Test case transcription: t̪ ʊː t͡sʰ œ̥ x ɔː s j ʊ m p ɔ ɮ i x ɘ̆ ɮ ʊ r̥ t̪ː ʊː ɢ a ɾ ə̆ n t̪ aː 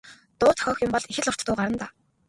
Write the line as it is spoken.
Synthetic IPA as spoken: t̪ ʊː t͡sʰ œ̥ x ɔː x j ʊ m p ɔ ɮ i x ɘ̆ ɮ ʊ r̥ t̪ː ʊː ɢ a ɾ ə̆ n t̪ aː